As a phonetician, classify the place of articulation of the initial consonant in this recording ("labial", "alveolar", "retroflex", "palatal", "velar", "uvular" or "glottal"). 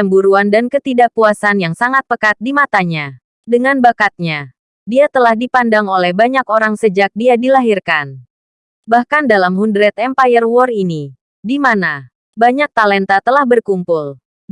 labial